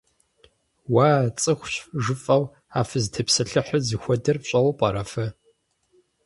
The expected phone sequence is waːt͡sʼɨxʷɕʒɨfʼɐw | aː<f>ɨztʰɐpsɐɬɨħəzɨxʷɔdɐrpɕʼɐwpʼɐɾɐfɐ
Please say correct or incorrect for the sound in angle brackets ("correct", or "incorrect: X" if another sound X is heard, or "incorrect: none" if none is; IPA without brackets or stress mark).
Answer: correct